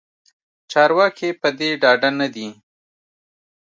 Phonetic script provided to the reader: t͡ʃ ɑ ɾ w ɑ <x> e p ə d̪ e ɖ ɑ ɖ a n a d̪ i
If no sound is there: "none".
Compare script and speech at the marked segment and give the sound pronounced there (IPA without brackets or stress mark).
k